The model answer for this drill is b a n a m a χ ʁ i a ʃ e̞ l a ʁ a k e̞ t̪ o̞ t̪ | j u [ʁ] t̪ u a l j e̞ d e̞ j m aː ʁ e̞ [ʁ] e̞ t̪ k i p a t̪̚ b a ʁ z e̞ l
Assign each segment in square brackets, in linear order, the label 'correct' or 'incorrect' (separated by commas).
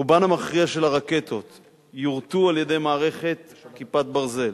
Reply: correct, incorrect